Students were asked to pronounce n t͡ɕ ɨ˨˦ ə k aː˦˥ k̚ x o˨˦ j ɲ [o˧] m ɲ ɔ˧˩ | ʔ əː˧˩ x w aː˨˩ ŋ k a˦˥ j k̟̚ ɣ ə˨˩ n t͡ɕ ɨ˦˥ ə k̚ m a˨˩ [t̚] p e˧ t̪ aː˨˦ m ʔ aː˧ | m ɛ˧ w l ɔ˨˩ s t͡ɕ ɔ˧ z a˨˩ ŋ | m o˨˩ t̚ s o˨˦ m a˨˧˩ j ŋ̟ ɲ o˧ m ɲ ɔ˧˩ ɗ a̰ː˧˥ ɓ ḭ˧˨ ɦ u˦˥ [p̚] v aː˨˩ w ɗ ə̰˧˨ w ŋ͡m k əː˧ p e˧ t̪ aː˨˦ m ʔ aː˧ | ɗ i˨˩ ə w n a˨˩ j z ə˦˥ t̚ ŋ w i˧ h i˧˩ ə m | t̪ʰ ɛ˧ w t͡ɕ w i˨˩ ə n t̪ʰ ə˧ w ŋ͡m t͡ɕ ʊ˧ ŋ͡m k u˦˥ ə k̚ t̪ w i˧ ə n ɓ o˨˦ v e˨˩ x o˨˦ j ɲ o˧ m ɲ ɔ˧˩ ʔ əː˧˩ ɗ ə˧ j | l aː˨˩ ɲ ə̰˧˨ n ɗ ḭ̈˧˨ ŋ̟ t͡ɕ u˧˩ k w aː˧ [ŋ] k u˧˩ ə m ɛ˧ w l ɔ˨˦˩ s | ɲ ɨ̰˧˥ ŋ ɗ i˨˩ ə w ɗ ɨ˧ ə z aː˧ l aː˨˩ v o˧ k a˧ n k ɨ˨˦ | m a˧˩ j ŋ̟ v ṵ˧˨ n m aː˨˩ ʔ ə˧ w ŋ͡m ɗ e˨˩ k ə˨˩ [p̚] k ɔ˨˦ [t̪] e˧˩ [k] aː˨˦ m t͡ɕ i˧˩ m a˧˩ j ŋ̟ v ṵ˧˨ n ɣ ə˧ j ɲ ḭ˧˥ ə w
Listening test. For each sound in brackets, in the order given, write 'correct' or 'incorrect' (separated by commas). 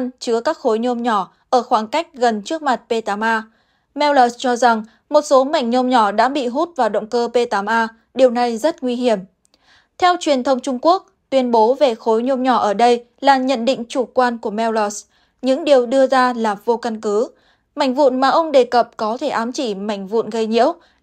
correct, correct, incorrect, incorrect, correct, incorrect, incorrect